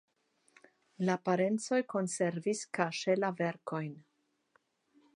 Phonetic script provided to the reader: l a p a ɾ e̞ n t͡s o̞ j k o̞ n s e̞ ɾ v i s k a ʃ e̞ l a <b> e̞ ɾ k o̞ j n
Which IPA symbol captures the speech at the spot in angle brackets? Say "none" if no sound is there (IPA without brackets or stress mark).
v